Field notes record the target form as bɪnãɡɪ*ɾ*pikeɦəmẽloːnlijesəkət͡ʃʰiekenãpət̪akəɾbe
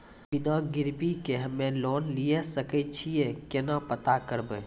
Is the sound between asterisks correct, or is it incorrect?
correct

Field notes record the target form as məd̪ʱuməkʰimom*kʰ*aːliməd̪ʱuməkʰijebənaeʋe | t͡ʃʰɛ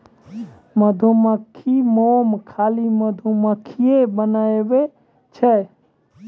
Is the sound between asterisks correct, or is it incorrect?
correct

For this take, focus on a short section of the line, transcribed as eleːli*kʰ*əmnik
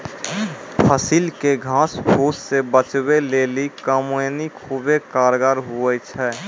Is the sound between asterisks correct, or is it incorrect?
incorrect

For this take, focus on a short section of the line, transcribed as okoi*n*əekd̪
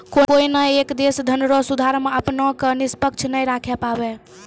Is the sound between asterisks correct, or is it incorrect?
correct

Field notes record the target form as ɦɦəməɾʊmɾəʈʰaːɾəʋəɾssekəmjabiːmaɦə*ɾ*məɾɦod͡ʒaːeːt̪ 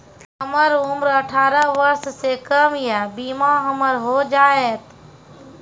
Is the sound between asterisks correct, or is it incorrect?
incorrect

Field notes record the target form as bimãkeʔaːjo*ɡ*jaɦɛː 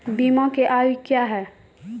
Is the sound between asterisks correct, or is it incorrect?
incorrect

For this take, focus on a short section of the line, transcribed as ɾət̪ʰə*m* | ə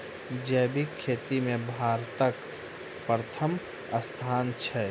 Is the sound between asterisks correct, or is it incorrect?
correct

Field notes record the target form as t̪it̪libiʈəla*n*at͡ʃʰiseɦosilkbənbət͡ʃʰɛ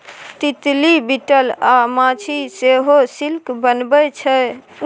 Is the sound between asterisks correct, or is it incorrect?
incorrect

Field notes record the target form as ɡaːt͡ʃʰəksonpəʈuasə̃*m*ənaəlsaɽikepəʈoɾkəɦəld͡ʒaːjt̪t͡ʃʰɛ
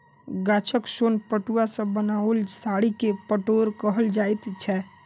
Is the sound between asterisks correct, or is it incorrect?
incorrect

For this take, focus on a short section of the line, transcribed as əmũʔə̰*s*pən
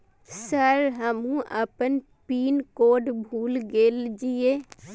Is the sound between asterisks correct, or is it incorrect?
incorrect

